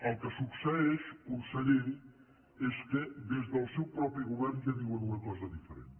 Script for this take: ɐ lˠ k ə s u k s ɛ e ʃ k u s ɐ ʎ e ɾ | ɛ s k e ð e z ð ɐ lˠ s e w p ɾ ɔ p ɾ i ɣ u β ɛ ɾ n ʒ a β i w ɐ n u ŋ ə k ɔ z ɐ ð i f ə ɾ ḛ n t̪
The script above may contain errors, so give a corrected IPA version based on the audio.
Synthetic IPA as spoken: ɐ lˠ k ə s u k s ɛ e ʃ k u s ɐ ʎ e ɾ | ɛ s k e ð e z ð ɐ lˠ s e w p ɾ ɔ p ɾ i ɣ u β ɛ ɾ n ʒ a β i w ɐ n u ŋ ɐ k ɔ z ɐ ð i f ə ɾ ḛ n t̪